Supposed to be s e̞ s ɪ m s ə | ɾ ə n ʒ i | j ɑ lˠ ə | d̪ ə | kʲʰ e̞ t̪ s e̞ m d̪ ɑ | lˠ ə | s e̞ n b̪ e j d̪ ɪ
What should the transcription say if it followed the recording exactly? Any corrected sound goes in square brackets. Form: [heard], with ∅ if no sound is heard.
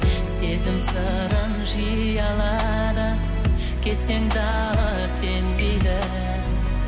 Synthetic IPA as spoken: s e̞ [z] ɪ m s ə | ɾ ə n ʒ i | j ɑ lˠ [ɑ] | d̪ ə | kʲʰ e̞ t̪ s e̞ [ŋ] d̪ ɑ | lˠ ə | s e̞ n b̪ e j d̪ ɪ